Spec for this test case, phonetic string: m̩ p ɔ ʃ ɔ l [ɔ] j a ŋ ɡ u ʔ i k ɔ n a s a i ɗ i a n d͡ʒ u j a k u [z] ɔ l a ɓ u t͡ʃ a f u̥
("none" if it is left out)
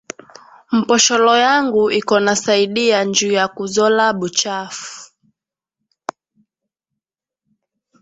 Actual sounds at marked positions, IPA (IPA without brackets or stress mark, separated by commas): ɔ, z